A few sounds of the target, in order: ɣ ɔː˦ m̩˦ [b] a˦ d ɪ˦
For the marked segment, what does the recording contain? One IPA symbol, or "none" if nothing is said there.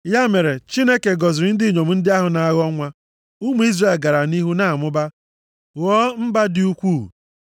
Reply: b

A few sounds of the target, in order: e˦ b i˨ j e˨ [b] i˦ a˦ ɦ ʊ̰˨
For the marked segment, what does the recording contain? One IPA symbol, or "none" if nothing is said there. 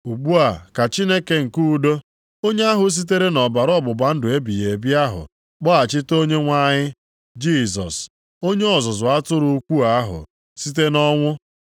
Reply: b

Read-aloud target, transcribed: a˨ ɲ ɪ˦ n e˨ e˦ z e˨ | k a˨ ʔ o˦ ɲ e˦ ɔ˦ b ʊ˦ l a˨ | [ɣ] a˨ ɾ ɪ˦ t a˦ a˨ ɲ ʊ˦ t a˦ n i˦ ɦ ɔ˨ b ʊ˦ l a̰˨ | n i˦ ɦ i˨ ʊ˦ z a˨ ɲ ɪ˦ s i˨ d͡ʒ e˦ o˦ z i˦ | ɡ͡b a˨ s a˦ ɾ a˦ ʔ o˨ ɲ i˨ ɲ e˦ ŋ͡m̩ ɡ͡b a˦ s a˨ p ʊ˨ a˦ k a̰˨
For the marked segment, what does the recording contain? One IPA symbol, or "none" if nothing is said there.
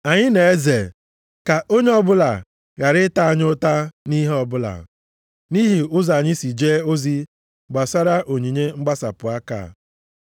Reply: ɣ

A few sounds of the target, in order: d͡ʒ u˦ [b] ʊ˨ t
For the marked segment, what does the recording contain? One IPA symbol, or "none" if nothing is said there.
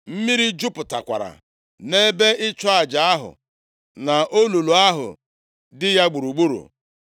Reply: p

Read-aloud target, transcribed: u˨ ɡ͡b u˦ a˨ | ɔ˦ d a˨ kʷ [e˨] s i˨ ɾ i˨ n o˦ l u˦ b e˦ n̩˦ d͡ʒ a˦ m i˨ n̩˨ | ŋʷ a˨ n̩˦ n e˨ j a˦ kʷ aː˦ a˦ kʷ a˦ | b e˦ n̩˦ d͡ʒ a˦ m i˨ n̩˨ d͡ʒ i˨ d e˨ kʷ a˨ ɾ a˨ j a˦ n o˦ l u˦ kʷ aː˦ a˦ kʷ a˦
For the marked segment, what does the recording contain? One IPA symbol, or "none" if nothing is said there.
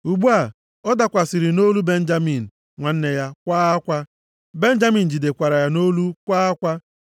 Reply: a˨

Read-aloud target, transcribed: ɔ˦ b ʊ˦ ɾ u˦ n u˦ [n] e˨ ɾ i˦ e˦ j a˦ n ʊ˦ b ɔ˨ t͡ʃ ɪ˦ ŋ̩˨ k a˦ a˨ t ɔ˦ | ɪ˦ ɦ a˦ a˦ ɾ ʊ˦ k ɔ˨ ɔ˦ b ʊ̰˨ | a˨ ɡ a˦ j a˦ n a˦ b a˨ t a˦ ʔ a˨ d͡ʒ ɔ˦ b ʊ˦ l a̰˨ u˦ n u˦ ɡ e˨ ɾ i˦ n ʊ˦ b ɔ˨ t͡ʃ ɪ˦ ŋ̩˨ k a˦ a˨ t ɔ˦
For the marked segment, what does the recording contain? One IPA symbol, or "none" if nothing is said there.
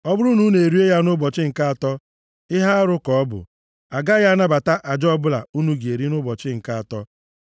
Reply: n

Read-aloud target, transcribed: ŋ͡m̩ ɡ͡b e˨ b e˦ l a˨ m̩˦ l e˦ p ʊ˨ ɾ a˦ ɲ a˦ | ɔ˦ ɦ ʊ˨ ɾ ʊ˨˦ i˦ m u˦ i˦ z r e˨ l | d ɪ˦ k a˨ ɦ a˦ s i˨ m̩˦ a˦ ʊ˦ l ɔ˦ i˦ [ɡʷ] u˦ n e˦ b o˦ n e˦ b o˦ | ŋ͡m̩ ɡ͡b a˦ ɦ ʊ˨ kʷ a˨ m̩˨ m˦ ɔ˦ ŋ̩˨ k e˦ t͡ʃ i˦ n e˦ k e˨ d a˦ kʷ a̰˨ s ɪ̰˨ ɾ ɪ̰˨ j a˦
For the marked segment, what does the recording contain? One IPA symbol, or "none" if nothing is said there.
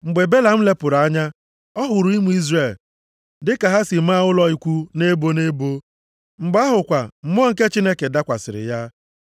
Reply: kʷ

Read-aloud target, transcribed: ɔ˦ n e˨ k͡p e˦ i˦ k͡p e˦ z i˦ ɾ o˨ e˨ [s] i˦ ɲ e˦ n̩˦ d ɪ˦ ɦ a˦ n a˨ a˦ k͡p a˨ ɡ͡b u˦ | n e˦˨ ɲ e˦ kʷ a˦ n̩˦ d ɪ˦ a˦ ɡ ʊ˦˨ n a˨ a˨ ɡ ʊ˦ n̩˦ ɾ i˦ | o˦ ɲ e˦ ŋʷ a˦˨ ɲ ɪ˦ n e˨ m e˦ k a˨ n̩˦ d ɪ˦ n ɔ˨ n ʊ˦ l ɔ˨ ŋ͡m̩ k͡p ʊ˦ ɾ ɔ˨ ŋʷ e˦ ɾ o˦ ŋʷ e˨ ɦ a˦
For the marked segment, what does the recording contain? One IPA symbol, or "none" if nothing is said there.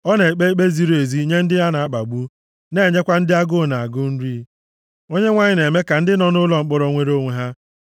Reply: z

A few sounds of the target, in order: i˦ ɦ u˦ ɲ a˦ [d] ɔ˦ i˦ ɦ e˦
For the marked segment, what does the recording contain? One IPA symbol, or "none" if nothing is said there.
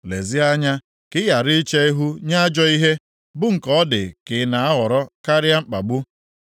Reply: d͡ʒ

